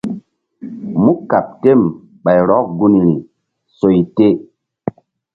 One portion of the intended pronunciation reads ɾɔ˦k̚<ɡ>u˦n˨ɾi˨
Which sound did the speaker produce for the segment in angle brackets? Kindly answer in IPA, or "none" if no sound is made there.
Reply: ɡ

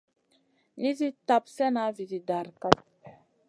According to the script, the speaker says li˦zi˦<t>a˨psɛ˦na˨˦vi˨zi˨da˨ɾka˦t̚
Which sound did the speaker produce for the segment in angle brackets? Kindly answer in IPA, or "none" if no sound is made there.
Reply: t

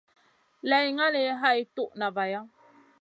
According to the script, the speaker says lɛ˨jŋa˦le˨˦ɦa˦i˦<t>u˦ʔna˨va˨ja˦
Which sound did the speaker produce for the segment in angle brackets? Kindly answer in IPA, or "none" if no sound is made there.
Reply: t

